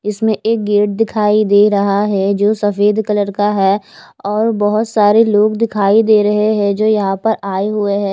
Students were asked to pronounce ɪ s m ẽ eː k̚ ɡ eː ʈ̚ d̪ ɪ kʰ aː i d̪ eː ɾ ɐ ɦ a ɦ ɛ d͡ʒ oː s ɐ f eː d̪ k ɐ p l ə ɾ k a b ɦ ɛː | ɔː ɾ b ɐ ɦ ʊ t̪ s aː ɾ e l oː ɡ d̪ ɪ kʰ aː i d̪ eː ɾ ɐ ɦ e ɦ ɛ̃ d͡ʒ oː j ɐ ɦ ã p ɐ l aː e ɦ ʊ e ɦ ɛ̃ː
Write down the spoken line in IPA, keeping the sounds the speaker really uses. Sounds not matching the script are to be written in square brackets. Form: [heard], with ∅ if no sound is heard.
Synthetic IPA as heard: ɪ s m ẽ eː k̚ ɡ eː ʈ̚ d̪ ɪ kʰ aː i d̪ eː ɾ ɐ ɦ a ɦ ɛ d͡ʒ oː s ɐ f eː d̪ k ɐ [∅] l ə ɾ k a [∅] ɦ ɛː | ɔː ɾ b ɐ ɦ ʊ t̪ s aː ɾ e l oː ɡ d̪ ɪ kʰ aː i d̪ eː ɾ ɐ ɦ e ɦ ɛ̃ d͡ʒ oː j ɐ ɦ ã p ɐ [ɾ] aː e ɦ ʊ e ɦ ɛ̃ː

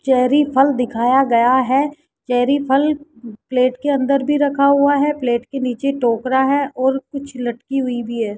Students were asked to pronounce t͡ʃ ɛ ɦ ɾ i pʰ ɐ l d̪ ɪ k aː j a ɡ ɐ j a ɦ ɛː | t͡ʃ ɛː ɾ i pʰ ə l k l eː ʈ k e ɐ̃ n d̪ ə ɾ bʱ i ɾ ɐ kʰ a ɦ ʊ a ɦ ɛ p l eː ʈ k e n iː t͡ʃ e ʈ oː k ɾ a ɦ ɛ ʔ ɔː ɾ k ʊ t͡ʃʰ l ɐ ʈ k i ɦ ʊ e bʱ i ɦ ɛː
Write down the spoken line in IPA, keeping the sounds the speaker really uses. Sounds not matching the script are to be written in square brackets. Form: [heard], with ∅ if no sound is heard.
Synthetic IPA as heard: t͡ʃ ɛ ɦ ɾ i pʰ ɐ l d̪ ɪ [kʰ] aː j a ɡ ɐ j a ɦ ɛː | t͡ʃ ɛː ɾ i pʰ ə l [p] l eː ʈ k e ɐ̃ n d̪ ə ɾ bʱ i ɾ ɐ kʰ a ɦ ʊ a ɦ ɛ p l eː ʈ k e n iː t͡ʃ e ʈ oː k ɾ a ɦ ɛ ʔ ɔː ɾ k ʊ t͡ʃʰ l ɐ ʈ k i ɦ ʊ [i] bʱ i ɦ ɛː

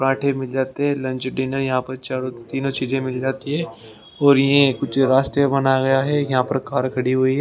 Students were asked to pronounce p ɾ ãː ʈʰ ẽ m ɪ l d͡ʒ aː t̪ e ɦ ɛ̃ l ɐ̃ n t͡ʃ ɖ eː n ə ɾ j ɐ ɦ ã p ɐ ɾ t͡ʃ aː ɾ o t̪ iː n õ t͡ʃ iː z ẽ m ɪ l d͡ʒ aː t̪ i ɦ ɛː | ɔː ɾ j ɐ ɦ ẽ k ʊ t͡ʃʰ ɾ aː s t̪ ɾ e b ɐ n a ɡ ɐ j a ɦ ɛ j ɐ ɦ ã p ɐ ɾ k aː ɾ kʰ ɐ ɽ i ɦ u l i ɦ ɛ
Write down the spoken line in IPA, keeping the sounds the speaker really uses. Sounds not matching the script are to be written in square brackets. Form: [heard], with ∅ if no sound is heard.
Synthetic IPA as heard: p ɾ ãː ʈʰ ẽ m ɪ l d͡ʒ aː t̪ e ɦ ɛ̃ l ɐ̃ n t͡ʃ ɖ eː n ə ɾ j ɐ ɦ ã p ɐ ɾ t͡ʃ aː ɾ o t̪ iː n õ t͡ʃ iː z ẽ m ɪ l d͡ʒ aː t̪ i ɦ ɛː | ɔː ɾ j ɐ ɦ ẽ k ʊ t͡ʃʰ ɾ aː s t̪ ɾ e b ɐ n a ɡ ɐ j a ɦ ɛ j ɐ ɦ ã p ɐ ɾ k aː ɾ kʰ ɐ ɽ i ɦ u [∅] i ɦ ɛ

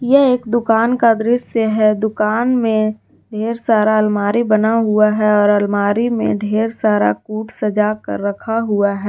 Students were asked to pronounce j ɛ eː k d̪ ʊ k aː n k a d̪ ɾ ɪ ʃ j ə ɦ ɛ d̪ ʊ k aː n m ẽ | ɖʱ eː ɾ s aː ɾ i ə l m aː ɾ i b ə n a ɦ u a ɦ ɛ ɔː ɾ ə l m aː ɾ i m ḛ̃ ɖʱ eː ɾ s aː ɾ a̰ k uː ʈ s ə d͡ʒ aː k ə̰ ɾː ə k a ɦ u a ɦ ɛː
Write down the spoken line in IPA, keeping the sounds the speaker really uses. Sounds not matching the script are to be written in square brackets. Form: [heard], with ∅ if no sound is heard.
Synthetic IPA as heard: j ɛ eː k d̪ ʊ k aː n k a d̪ ɾ ɪ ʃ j ə ɦ ɛ d̪ ʊ k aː n m ẽ | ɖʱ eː ɾ s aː ɾ [a] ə l m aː ɾ i b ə n a ɦ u a ɦ ɛ ɔː ɾ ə l m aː ɾ i m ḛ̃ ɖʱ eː ɾ s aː ɾ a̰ k uː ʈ s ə d͡ʒ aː k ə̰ ɾː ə [kʰ] a ɦ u a ɦ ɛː

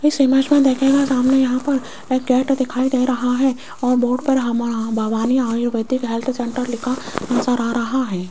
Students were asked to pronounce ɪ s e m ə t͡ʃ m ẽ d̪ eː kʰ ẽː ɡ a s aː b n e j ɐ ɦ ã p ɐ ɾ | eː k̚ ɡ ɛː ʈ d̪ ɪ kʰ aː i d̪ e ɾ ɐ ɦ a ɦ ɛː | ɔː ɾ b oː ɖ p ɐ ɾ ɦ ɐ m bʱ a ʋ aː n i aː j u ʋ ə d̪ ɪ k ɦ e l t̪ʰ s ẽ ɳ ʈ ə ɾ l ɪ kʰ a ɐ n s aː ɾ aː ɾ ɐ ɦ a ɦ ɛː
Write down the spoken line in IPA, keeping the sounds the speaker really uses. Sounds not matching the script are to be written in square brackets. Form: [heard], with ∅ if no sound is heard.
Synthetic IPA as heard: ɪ s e m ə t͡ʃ m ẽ d̪ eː kʰ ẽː ɡ a s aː [m] n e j ɐ ɦ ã p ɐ ɾ | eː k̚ ɡ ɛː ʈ d̪ ɪ kʰ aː i d̪ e ɾ ɐ ɦ a ɦ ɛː | ɔː ɾ b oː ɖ p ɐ ɾ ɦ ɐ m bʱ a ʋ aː n i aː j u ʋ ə d̪ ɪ k ɦ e l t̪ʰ s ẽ ɳ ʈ ə ɾ l ɪ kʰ a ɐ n s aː ɾ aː ɾ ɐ ɦ a ɦ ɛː

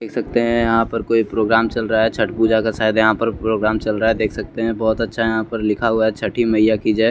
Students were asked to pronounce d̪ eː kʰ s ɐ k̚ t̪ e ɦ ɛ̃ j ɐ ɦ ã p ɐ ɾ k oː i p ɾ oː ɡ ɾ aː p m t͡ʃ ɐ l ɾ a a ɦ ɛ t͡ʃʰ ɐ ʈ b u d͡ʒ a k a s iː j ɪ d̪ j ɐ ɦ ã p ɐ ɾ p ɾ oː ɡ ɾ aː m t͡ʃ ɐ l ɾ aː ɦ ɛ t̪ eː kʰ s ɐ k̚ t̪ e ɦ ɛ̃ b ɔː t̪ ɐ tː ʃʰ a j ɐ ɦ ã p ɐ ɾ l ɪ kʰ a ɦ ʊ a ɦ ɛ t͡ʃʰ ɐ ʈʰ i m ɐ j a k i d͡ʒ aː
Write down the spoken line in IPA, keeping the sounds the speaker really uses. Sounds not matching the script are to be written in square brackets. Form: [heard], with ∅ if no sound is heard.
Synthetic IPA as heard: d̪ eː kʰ s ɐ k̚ t̪ e ɦ ɛ̃ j ɐ ɦ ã p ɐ ɾ k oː i p ɾ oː ɡ ɾ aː [∅] m t͡ʃ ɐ l ɾ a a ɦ ɛ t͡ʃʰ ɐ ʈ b u d͡ʒ a k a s [aː] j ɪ d̪ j ɐ ɦ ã p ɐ ɾ p ɾ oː ɡ ɾ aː m t͡ʃ ɐ l ɾ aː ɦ ɛ [d̪] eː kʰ s ɐ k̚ t̪ e ɦ ɛ̃ b ɔː t̪ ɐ tː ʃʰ a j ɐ ɦ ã p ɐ ɾ l ɪ kʰ a ɦ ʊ a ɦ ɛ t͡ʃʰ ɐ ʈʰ i m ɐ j a k i d͡ʒ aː

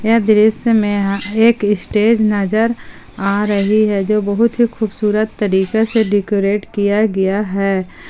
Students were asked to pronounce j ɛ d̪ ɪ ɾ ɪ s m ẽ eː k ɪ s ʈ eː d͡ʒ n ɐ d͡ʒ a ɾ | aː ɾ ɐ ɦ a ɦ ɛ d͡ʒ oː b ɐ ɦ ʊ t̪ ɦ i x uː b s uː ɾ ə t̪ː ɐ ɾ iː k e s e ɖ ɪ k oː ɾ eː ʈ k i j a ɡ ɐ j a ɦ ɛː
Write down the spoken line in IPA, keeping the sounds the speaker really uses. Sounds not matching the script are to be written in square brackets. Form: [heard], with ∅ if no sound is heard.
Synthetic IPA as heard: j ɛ d̪ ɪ ɾ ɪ s m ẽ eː k ɪ s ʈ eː d͡ʒ n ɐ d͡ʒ [ə] ɾ | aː ɾ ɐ ɦ [i] ɦ ɛ d͡ʒ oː b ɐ ɦ ʊ t̪ ɦ i x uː b s uː ɾ ə t̪ː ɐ ɾ iː k e s e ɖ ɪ k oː ɾ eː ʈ k i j a ɡ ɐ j a ɦ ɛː

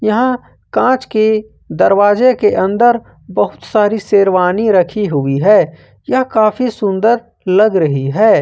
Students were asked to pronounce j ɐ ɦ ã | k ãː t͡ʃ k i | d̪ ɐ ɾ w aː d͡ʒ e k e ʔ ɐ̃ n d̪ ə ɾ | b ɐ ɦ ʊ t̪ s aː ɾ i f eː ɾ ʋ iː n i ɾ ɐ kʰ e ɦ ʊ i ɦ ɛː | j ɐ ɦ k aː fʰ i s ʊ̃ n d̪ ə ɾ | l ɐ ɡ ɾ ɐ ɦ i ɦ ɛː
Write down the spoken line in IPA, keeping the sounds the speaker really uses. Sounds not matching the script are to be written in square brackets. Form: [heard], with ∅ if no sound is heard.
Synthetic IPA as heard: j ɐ ɦ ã | k ãː t͡ʃ k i | d̪ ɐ ɾ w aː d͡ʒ e k e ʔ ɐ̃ n d̪ ə ɾ | b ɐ ɦ ʊ t̪ s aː ɾ i [s] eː ɾ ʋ [aː] n i ɾ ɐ kʰ [i] ɦ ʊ i ɦ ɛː | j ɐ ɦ k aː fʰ i s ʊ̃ n d̪ ə ɾ | l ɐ ɡ ɾ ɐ ɦ i ɦ ɛː

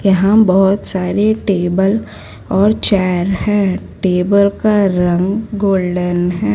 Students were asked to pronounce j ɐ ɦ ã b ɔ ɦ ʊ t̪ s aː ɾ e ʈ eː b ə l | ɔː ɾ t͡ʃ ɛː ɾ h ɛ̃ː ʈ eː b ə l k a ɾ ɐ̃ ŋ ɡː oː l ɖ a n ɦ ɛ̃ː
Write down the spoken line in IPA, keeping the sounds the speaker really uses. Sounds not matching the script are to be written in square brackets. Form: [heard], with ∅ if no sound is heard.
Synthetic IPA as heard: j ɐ ɦ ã b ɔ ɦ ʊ t̪ s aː ɾ e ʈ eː b ə l | ɔː ɾ t͡ʃ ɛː ɾ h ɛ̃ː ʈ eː b ə l k a ɾ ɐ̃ ŋ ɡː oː l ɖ [ə] n ɦ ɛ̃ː

